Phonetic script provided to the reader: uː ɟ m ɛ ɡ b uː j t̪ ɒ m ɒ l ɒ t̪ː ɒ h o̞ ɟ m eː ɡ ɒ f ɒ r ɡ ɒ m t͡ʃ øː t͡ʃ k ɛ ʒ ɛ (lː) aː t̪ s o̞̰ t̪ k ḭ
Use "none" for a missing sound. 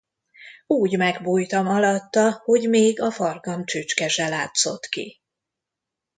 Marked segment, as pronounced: l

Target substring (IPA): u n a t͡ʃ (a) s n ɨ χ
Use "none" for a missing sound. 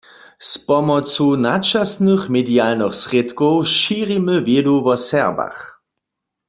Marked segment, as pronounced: a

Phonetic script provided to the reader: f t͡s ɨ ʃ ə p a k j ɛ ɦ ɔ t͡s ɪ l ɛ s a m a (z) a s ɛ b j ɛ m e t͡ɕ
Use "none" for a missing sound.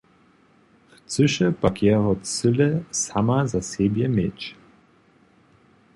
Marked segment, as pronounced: z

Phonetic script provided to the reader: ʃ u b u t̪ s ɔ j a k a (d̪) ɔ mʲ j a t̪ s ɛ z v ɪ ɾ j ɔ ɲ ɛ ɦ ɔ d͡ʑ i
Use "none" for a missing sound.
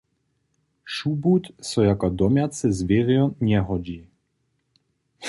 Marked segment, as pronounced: d̪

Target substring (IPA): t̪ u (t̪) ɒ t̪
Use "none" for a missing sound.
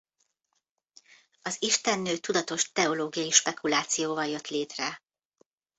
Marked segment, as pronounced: d̪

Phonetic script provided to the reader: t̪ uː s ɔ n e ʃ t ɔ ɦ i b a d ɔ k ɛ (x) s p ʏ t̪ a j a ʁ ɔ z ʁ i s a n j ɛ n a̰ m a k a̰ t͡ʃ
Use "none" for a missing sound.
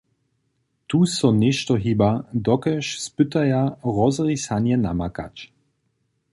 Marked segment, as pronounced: ʃ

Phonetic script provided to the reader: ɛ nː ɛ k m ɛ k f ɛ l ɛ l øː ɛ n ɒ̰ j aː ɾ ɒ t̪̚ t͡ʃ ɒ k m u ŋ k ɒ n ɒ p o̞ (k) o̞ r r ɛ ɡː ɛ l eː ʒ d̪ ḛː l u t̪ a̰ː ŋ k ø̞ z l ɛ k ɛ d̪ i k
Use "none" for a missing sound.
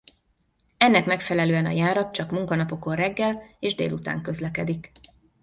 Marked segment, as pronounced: k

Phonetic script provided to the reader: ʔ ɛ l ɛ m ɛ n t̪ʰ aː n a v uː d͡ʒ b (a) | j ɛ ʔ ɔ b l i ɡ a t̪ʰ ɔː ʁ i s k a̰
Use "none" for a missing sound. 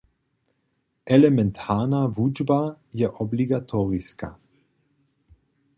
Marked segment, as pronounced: a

